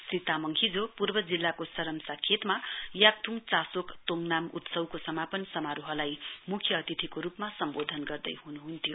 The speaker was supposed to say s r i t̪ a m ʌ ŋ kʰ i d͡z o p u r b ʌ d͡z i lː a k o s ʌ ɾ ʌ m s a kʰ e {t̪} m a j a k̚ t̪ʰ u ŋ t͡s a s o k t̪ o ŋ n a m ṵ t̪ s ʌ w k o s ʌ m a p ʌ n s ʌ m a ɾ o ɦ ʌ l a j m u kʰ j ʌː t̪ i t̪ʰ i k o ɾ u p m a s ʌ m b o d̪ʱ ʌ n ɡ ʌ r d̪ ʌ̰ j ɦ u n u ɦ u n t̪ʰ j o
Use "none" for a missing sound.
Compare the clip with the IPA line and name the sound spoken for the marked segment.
t̪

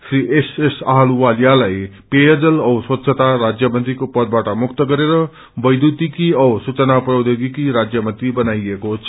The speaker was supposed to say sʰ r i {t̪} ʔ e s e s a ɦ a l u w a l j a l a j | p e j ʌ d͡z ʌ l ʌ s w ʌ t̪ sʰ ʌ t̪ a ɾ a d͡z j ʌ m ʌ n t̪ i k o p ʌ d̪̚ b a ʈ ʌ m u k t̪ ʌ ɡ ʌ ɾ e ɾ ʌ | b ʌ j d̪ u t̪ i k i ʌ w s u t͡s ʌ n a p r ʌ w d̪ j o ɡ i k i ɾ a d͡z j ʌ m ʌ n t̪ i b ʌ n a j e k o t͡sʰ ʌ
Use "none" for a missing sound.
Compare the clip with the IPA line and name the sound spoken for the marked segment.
none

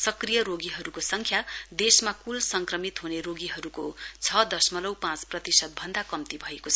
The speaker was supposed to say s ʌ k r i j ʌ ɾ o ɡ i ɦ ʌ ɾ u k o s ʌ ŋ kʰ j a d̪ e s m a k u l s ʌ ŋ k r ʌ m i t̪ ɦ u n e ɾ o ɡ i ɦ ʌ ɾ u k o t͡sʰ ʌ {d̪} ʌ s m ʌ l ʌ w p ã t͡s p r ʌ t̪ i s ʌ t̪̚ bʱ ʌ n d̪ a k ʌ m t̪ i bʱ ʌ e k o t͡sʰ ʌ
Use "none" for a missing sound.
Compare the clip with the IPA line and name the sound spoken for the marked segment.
d̪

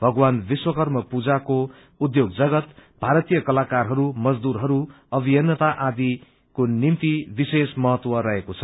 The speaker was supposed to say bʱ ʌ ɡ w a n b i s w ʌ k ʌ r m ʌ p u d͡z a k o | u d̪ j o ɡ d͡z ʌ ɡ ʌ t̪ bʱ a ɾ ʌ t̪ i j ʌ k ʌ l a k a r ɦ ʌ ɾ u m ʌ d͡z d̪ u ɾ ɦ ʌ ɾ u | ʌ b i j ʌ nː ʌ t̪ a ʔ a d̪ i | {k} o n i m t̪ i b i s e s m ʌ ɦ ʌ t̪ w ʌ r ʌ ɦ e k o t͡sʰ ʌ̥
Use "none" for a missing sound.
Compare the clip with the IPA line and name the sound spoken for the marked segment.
k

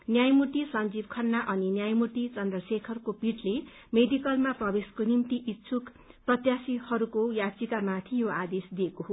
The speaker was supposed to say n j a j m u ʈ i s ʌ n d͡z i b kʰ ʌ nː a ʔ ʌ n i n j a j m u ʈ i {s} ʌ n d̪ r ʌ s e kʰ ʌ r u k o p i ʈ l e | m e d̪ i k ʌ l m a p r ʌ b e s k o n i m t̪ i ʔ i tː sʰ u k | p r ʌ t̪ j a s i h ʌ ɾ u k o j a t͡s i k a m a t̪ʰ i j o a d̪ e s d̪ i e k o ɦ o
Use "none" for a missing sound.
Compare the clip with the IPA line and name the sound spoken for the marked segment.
t͡s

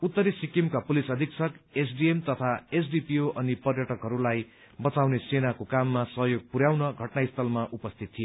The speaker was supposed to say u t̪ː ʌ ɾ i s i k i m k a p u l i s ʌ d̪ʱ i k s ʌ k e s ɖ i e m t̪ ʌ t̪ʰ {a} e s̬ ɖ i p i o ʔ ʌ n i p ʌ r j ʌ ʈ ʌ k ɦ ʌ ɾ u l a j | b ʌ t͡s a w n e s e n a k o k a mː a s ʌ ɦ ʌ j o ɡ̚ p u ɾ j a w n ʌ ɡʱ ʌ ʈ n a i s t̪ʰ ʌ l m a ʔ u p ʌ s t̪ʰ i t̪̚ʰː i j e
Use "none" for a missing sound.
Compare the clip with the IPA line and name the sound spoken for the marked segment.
a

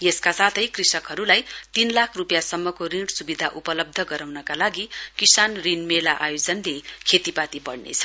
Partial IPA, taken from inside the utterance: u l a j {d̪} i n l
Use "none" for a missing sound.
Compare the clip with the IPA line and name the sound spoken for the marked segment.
t̪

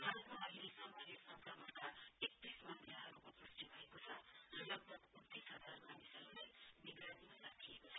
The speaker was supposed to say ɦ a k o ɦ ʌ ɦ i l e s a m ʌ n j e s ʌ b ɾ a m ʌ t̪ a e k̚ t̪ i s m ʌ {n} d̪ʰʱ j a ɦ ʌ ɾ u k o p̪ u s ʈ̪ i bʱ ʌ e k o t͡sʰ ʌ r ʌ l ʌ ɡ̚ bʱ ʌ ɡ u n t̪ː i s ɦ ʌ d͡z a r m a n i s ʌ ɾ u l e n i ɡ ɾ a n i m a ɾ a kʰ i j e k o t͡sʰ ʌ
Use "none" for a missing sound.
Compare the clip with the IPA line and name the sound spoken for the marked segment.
n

